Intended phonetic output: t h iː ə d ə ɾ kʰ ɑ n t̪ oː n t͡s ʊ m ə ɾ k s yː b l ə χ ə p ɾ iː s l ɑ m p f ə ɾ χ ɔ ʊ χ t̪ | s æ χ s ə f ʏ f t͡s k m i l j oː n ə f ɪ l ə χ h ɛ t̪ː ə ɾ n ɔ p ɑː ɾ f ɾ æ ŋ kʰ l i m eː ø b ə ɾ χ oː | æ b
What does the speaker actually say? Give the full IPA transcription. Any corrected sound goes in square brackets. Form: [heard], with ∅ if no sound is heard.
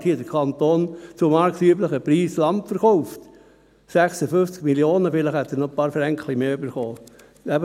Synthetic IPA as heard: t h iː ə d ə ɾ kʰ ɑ n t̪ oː n t͡s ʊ m [ɑ] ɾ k s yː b l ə χ ə p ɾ iː s l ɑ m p f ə ɾ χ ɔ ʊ [f] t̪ | s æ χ s ə f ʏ f t͡s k m i l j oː n ə f ɪ l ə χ h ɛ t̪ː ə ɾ n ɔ p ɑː ɾ f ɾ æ ŋ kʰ l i m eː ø b ə ɾ χ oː | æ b